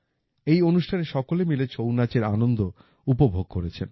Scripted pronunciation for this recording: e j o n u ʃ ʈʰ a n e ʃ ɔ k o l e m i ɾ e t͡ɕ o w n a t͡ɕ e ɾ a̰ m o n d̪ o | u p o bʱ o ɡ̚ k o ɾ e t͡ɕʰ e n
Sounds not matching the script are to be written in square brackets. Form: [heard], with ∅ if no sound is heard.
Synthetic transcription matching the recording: e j o n u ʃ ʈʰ a n e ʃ ɔ k o l e m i [l] e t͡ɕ o w n a t͡ɕ e ɾ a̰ [n] o n d̪ o | u p o bʱ o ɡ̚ k o ɾ e t͡ɕʰ e n